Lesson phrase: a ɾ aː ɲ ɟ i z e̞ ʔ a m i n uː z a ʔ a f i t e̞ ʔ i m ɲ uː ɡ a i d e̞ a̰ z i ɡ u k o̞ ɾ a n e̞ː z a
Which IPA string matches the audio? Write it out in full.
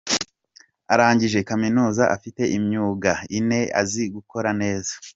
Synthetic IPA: a ɾ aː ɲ ɟ i ʒ e̞ k a m i n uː z a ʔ a f i t e̞ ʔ i m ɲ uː ɡ a i n e̞ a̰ z i ɡ u k o̞ ɾ a n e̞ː z a